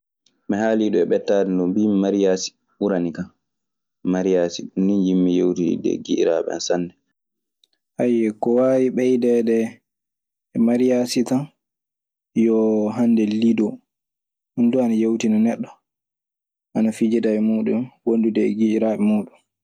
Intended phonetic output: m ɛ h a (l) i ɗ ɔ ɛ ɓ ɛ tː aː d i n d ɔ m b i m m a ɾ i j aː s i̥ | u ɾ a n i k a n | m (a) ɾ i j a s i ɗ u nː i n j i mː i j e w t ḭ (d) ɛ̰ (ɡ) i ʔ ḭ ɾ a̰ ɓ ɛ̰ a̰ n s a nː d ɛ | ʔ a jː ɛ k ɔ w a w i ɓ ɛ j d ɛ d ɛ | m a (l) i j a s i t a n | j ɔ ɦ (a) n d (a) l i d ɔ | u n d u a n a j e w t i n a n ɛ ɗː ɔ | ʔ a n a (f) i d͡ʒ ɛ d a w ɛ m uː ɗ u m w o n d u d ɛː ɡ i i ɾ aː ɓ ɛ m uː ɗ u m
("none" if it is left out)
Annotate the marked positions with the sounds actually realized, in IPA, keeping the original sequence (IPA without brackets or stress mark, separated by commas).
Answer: l, a, d, ɡ, ɾ, a, ɛ, f